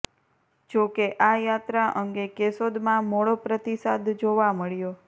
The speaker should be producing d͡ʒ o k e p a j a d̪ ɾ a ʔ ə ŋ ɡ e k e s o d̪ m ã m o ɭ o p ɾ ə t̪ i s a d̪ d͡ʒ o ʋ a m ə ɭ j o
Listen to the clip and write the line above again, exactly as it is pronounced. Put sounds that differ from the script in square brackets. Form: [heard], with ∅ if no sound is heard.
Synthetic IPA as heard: d͡ʒ o k e [ʔ] a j a [t̪] ɾ a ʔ ə ŋ ɡ e k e s o d̪ m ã m o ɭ o p ɾ ə t̪ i s a d̪ d͡ʒ o ʋ a m ə ɭ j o